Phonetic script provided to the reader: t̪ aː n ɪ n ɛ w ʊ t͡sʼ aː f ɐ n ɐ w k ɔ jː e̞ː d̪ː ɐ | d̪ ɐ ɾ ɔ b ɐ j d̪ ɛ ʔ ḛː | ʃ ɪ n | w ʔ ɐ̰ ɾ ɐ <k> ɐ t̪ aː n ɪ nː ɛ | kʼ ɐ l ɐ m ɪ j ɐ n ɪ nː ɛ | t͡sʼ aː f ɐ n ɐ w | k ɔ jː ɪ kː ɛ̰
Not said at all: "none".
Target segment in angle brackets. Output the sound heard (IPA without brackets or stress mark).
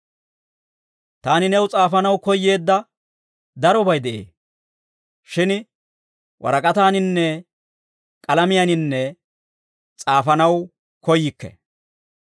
kʼ